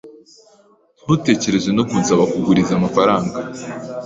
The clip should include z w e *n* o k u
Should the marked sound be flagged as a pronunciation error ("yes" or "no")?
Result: no